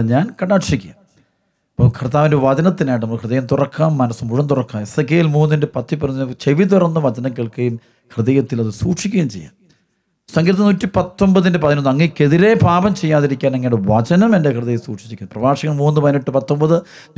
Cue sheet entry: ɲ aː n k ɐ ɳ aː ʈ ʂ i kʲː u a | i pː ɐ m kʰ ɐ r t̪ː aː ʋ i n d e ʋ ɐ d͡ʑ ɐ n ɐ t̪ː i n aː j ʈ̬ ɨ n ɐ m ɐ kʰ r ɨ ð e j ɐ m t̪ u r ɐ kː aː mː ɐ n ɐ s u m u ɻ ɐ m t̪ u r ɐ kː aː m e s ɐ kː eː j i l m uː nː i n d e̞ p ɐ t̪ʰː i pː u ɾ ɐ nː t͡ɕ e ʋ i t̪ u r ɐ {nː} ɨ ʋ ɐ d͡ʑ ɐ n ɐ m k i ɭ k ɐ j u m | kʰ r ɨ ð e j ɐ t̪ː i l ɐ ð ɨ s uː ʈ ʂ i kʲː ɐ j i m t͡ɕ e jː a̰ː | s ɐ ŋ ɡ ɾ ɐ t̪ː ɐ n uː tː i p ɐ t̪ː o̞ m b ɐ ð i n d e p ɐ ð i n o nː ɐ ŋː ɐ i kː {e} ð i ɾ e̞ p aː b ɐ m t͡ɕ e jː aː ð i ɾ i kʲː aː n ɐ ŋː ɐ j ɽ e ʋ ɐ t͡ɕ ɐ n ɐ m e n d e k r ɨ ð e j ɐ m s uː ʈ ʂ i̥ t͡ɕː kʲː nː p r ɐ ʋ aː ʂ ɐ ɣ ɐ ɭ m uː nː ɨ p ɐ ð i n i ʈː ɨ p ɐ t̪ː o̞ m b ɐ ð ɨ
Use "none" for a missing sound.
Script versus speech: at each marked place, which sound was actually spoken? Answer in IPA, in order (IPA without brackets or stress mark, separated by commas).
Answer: nː, e